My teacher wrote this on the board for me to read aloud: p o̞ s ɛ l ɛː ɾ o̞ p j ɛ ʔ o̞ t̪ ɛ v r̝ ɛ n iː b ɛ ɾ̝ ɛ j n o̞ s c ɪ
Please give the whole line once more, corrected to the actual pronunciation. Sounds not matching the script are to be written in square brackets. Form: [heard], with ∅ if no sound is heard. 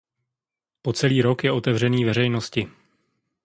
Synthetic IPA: p o̞ [t͡s] ɛ l [iː] ɾ o̞ [k] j ɛ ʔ o̞ t̪ ɛ v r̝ ɛ n iː [v] ɛ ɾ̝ ɛ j n o̞ s c ɪ